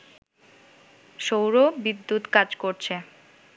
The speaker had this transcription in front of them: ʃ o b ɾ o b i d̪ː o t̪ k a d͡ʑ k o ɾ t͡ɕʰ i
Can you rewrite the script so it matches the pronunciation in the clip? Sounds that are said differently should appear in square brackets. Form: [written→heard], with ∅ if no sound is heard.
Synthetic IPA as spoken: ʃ o [b→w] ɾ o b i d̪ː [o→u] t̪ k a d͡ʑ k o ɾ t͡ɕʰ [i→e]